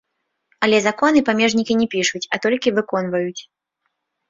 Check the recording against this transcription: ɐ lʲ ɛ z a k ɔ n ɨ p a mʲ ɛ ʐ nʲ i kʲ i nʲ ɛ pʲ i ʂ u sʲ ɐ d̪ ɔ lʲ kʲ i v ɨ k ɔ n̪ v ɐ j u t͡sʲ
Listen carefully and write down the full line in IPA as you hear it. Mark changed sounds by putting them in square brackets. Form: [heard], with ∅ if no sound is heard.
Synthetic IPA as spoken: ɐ lʲ ɛ z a k ɔ n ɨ p a mʲ ɛ ʐ nʲ i kʲ i nʲ ɛ pʲ i ʂ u [t͡sʲ] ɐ [t̪] ɔ lʲ kʲ i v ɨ k ɔ n̪ v ɐ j u t͡sʲ